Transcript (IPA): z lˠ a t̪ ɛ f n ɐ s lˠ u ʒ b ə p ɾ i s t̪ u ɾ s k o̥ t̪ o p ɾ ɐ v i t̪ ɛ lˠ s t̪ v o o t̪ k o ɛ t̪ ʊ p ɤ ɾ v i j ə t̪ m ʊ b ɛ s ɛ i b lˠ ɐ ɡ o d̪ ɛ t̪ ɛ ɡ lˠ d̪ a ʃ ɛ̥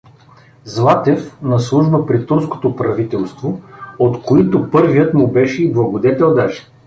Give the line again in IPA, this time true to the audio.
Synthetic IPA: z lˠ a t̪ ɛ f n ɐ s lˠ u ʒ b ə p ɾ i t̪ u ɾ s k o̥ t̪ o p ɾ ɐ v i t̪ ɛ lˠ s t̪ v o o t̪ k o i t̪ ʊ p ɤ ɾ v i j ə t̪ m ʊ b ɛ ʃ ɛ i b lˠ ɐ ɡ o d̪ ɛ t̪ ɛ lˠ d̪ a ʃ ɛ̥